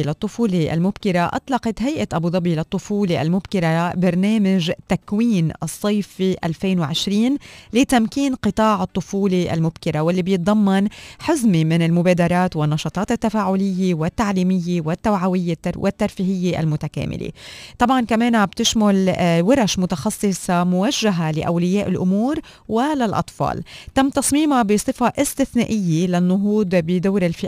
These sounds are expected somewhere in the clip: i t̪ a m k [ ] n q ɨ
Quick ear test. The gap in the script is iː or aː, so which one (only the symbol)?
iː